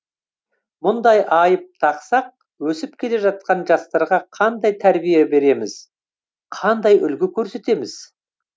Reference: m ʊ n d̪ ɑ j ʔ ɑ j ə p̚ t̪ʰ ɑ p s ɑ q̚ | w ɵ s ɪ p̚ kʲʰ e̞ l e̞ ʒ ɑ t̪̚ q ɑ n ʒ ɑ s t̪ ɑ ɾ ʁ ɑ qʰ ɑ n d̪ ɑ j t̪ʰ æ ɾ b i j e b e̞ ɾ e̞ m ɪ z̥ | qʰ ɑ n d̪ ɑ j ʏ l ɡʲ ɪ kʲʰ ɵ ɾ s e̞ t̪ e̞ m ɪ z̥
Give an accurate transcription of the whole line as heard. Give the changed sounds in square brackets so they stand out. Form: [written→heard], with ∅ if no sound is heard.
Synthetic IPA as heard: m ʊ n d̪ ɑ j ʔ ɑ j ə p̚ t̪ʰ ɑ [p→q] s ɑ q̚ | w ɵ s ɪ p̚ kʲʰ e̞ l e̞ ʒ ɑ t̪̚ q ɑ n ʒ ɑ s t̪ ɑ ɾ ʁ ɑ qʰ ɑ n d̪ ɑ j t̪ʰ æ ɾ b i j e b e̞ ɾ e̞ m ɪ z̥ | qʰ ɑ n d̪ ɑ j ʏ l ɡʲ ɪ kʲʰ ɵ ɾ s e̞ t̪ e̞ m ɪ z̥